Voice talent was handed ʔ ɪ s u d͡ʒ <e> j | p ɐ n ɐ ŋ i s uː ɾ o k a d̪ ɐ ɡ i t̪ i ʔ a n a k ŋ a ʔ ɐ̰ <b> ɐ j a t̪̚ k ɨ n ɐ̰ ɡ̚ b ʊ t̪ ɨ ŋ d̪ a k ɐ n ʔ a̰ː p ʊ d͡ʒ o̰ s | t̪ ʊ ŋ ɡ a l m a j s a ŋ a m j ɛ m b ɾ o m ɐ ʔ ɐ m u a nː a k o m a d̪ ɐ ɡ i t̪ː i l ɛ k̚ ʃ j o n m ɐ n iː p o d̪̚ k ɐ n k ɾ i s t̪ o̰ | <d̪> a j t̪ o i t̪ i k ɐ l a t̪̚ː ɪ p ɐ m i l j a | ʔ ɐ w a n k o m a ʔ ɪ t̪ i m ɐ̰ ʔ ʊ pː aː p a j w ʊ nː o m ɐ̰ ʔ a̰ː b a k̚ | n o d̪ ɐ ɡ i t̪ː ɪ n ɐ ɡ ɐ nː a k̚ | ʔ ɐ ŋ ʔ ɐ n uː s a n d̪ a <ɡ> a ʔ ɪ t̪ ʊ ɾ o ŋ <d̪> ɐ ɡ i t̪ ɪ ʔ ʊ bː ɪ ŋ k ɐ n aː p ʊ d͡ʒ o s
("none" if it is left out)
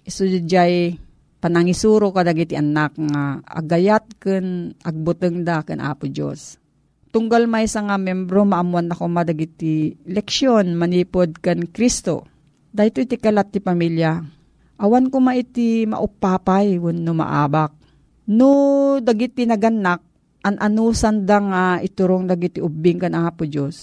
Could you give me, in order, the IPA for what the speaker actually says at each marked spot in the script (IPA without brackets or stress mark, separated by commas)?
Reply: a, ɡ, d̪, ŋ, d̪